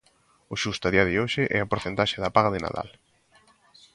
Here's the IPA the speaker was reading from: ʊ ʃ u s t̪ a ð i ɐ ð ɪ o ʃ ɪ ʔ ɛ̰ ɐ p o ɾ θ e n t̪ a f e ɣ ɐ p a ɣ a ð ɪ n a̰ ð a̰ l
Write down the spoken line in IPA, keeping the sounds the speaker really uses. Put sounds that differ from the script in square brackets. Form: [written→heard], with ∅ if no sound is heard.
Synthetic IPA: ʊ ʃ u s t̪ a ð i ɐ ð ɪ o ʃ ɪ ʔ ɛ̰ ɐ p o ɾ θ e n t̪ a [f→ʃ] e [ɣ→ð] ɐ p a ɣ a ð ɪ n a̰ ð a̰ l